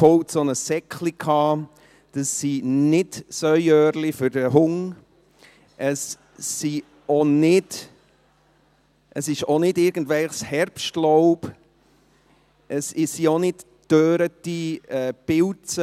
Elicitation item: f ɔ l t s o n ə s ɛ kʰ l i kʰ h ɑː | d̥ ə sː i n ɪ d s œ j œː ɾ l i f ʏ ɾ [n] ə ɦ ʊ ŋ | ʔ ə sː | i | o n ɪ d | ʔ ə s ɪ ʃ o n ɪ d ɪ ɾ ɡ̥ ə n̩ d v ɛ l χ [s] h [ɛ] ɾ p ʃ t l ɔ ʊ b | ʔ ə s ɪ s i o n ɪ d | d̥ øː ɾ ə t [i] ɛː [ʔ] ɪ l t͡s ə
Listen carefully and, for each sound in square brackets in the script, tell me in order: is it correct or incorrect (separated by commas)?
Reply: incorrect, correct, correct, correct, incorrect